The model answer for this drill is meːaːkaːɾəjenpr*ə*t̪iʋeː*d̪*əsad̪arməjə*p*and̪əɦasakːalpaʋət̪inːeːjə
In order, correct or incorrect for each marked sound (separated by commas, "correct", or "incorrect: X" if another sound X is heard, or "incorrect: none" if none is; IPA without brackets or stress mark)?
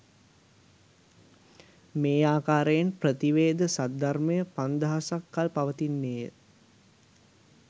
correct, correct, correct